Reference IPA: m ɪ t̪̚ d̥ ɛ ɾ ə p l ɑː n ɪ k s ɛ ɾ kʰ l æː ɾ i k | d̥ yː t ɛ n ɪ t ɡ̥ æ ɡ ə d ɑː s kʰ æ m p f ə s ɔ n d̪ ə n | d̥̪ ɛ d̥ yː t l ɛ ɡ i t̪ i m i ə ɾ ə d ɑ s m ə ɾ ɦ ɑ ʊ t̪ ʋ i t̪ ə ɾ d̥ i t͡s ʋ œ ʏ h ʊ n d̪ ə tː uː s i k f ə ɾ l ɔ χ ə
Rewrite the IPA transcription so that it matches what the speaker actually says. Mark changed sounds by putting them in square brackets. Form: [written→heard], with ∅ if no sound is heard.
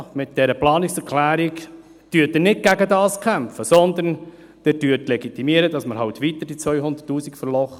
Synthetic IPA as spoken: m ɪ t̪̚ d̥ ɛ ɾ ə p l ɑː n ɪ k s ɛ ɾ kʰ l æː ɾ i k | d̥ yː t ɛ n ɪ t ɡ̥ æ ɡ ə d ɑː s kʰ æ m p f ə s ɔ n d̪ ə n | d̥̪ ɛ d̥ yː t l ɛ ɡ i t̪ i m i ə ɾ ə d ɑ s m ə ɾ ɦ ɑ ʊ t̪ ʋ i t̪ ə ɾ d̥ i t͡s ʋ œ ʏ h ʊ n d̪ ə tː uː s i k f ə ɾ l ɔ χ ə

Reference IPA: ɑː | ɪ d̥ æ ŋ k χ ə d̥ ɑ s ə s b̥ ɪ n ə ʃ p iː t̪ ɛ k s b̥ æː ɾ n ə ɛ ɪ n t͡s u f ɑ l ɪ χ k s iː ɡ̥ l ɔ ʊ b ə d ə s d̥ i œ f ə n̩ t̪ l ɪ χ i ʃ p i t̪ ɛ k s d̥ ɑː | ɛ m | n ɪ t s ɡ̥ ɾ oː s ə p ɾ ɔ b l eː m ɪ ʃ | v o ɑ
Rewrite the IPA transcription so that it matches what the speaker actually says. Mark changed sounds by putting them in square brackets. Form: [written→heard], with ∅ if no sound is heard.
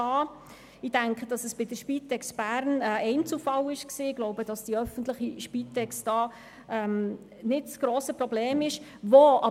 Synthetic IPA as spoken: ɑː | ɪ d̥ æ ŋ k χ ə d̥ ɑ s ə s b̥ ɪ [n→d] ə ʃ p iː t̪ ɛ k s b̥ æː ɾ n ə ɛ ɪ n t͡s u f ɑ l ɪ [χ→ʃ] k s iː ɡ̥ l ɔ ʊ b ə d [ə→ɑ] s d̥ i œ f ə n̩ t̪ l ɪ χ i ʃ p i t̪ ɛ k s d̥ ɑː | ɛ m | n ɪ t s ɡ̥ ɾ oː s ə p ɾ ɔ b l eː m ɪ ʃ | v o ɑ

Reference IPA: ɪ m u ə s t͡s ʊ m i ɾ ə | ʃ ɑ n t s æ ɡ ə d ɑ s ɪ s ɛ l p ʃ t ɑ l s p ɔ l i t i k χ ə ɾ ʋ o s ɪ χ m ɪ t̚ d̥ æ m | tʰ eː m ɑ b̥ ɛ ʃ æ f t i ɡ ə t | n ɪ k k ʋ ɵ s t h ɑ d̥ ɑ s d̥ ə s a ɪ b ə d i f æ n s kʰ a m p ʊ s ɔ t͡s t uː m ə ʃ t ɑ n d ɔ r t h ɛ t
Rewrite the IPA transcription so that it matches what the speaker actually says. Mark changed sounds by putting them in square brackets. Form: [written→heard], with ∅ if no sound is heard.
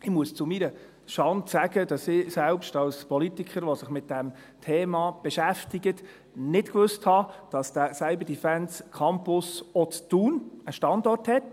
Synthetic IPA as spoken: ɪ m u ə s t͡s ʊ m i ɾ ə | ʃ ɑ n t s æ ɡ ə d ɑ s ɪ s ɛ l p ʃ t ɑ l s p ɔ l i t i k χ ə ɾ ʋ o s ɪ χ m ɪ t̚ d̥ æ m | tʰ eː m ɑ b̥ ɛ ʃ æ f t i ɡ ə t | n ɪ [k→t] k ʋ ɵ s t h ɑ d̥ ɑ s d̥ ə s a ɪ b ə d i f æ n s kʰ [a→ɑ] m p ʊ s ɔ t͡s t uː [m→n] ə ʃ t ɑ n d ɔ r t h ɛ t

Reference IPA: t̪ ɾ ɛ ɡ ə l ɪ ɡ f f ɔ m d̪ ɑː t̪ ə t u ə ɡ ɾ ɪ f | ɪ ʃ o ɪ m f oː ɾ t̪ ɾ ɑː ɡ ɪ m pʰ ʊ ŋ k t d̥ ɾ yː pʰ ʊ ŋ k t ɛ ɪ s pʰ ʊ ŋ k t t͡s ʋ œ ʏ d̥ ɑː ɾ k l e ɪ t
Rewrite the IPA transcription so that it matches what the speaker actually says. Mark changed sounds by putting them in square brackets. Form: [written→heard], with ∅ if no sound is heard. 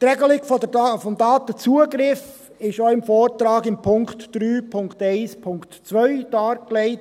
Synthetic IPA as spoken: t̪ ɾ ɛ ɡ ə l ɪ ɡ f f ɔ m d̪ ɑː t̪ ə [t→t͡s] u ə ɡ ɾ ɪ f | ɪ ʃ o ɪ m f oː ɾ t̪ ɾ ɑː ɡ ɪ m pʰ ʊ ŋ k t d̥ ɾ yː pʰ ʊ ŋ k t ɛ ɪ s pʰ ʊ ŋ k t t͡s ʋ œ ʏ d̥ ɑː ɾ k l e ɪ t

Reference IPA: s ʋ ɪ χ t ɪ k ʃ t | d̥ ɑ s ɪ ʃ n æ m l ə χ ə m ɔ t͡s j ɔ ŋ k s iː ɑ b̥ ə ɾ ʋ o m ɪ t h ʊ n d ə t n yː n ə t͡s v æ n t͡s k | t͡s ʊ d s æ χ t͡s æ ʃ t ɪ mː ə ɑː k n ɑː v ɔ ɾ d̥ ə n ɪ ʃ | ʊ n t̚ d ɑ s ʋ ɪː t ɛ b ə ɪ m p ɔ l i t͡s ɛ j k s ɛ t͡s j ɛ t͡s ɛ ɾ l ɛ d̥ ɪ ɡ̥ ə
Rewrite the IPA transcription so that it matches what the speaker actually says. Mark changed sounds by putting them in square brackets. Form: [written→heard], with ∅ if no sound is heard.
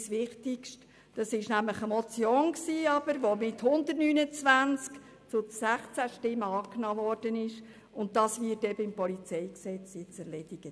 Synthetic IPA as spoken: s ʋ ɪ χ t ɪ k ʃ t | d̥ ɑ s ɪ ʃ n æ m l ə χ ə m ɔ t͡s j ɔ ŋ k s iː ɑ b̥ ə ɾ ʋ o m ɪ t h ʊ n d ə t n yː n ə t͡s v æ n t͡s k | t͡s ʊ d s æ χ t͡s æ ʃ t ɪ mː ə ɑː k n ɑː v ɔ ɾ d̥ ə n ɪ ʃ | ʊ n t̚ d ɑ s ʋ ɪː t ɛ b ə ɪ m p ɔ l i t͡s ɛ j k s ɛ t͡s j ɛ t͡s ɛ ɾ l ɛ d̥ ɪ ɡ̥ ə

